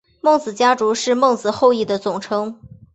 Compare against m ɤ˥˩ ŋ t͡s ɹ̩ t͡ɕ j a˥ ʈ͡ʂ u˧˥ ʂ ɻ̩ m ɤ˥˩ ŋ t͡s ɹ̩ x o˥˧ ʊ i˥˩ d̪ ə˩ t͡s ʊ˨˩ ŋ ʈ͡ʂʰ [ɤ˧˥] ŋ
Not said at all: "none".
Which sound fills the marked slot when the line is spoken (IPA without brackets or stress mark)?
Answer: ɤ˥